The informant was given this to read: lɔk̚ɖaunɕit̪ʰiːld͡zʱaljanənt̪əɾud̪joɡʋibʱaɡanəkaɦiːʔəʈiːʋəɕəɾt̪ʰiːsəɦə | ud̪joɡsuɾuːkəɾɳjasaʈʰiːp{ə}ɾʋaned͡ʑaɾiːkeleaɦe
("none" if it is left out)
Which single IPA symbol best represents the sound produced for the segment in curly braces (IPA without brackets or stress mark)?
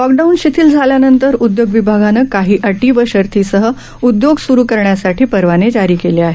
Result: ə